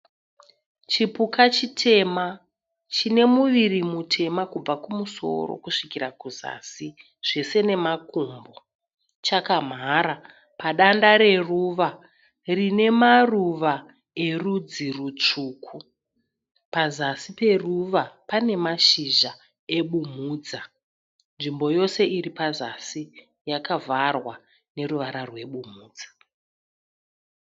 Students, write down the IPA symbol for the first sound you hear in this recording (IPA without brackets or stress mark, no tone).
t͡ʃ